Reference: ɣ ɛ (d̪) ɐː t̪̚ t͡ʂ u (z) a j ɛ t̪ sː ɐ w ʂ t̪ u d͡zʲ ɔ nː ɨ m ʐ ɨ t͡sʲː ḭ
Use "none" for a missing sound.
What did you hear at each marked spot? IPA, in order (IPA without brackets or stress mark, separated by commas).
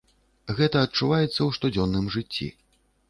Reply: t̪, v